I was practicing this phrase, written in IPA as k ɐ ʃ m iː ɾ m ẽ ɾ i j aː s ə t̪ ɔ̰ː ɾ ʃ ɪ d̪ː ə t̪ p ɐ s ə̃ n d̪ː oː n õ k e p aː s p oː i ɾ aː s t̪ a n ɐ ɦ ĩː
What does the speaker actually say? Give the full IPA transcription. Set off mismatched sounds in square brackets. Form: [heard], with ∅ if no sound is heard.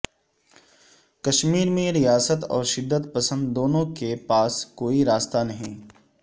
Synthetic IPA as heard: k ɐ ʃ m iː ɾ m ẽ ɾ i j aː s ə t̪ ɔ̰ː ɾ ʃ ɪ d̪ː ə t̪ p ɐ s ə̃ n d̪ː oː n õ k e p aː s [k] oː i ɾ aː s t̪ a n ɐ ɦ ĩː